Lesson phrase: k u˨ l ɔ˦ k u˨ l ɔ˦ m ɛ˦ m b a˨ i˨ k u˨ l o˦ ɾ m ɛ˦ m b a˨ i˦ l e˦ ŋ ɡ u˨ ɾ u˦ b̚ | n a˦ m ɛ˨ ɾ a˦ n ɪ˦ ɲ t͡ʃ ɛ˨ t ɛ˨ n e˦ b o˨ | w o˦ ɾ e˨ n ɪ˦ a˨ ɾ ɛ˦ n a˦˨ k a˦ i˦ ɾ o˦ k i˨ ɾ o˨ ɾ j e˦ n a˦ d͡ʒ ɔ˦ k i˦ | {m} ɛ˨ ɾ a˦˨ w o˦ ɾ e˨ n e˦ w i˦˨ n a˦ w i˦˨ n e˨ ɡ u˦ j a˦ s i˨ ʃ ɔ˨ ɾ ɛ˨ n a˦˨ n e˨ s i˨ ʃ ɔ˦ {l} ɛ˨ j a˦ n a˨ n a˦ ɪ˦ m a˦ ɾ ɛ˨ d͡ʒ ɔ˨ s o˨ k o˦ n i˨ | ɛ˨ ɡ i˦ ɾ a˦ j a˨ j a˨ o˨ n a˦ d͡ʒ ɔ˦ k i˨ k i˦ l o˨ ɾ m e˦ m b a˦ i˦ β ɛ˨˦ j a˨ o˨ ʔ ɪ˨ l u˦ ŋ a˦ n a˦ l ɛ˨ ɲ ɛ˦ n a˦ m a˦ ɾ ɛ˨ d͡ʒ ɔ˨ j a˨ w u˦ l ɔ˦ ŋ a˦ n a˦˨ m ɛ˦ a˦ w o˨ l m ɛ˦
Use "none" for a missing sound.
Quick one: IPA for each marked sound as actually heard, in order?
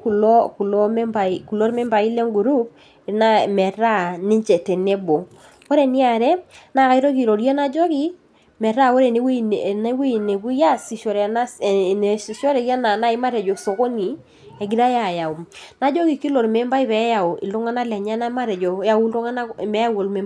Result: m, ɾ

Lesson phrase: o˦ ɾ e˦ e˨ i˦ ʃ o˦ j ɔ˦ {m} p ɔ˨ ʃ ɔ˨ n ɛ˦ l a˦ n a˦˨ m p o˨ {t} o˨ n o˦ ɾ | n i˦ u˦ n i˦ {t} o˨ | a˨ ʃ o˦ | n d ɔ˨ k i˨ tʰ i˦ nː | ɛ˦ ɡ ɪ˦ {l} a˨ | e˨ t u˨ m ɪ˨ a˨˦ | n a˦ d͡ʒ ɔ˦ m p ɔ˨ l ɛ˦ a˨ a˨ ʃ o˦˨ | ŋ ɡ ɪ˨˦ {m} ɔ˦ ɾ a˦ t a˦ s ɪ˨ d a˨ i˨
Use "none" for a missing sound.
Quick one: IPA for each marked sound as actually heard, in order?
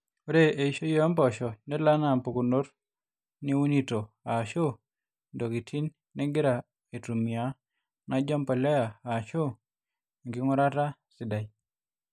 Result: m, k, t, ɾ, ŋ

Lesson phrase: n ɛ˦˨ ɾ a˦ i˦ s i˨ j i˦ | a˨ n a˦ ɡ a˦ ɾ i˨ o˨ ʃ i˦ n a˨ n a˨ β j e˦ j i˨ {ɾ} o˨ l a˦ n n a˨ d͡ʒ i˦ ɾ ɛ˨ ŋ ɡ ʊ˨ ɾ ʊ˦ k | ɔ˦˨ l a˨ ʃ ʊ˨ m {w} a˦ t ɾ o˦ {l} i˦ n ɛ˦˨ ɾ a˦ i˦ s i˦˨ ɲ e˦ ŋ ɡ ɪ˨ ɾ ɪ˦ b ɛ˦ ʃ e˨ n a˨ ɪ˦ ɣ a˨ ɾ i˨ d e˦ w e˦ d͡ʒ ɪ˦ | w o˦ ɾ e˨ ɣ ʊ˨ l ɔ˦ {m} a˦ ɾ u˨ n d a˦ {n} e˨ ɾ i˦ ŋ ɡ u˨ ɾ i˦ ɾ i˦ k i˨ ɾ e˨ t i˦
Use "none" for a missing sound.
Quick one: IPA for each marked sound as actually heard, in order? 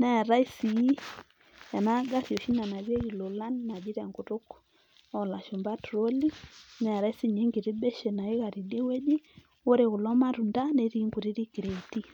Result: l, b, l, m, n

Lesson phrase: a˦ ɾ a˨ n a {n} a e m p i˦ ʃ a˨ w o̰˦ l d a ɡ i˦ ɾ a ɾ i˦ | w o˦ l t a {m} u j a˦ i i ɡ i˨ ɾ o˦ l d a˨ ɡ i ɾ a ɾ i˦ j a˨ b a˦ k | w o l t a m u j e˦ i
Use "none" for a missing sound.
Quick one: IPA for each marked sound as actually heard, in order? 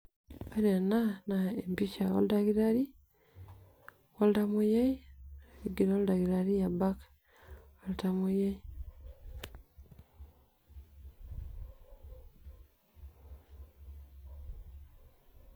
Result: n, m

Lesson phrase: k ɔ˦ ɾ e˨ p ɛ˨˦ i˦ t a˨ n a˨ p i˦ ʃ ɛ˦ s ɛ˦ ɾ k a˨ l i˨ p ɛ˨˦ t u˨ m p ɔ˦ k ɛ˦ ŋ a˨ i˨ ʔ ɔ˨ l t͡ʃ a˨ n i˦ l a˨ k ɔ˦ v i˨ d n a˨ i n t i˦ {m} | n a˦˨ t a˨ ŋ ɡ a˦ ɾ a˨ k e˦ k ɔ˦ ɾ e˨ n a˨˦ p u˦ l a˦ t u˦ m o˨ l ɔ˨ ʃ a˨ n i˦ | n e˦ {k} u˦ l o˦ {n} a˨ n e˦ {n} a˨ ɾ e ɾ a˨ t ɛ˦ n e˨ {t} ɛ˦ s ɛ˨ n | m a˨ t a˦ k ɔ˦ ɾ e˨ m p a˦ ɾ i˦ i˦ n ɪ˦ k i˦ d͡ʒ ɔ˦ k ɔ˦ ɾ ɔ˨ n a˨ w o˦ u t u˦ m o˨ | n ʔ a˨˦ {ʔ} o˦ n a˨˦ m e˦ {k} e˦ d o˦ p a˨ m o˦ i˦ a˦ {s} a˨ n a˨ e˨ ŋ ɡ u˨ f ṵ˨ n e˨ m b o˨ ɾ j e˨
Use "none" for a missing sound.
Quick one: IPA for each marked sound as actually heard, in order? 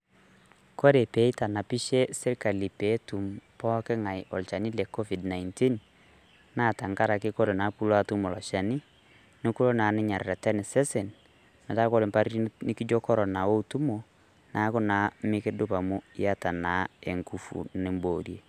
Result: n, k, n, ɲ, s, k, k, t

